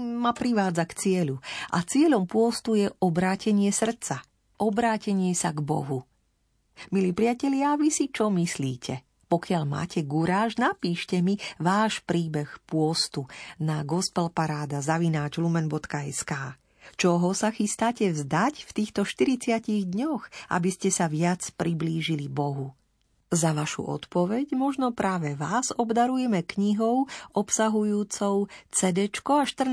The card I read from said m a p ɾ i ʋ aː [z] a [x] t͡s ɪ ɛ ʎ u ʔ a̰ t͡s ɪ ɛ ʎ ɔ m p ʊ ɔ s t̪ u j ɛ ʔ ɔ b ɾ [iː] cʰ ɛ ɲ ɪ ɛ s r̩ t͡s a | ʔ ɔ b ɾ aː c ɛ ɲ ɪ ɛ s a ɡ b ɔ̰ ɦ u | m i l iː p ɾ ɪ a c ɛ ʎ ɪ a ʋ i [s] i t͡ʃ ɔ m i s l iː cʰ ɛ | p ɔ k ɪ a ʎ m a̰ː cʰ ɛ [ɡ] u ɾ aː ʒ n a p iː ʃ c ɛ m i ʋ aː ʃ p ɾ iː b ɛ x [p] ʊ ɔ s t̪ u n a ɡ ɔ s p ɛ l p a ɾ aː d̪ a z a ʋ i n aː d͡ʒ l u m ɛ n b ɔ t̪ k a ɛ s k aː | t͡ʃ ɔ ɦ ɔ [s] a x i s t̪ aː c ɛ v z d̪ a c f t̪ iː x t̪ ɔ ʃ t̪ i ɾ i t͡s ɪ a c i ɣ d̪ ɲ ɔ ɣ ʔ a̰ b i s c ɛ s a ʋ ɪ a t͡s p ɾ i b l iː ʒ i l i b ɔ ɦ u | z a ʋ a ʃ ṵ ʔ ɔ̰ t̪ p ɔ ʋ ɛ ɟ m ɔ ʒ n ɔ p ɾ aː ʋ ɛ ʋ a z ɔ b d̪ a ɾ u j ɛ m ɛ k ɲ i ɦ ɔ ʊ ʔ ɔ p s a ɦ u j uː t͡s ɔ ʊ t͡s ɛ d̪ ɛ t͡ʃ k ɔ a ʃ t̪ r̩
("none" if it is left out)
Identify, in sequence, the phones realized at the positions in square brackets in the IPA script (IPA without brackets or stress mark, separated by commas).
d͡z, k, aː, s, ɡ, p, s